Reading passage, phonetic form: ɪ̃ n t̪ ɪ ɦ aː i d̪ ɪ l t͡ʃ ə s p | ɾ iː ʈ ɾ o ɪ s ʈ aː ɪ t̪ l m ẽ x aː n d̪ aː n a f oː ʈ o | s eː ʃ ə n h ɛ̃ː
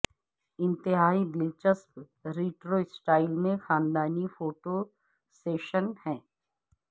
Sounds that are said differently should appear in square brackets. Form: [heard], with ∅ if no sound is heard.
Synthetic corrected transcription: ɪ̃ n t̪ ɪ ɦ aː i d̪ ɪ l t͡ʃ ə s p | ɾ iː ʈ ɾ o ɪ s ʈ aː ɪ [∅] l m ẽ x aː n d̪ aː n [i] f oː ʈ o | s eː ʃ ə n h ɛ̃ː